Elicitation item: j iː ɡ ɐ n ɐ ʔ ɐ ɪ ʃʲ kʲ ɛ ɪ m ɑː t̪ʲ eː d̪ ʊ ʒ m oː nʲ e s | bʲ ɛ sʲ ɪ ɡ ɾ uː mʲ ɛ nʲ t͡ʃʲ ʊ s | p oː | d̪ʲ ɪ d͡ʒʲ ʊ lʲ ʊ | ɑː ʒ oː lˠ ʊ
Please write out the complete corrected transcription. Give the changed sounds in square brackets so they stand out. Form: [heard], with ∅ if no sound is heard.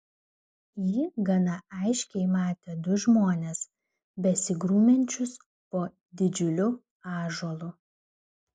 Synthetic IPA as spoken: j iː ɡ ɐ n ɐ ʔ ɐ ɪ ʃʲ kʲ ɛ ɪ m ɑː t̪ʲ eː d̪ ʊ ʒ m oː nʲ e s | bʲ ɛ sʲ ɪ ɡ ɾ uː mʲ ɛ nʲ t͡ʃʲ ʊ s | p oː | d̪ʲ ɪ d͡ʒʲ ʊ lʲ ʊ | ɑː ʒ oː lˠ ʊ